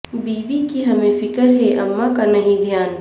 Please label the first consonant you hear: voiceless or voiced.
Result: voiced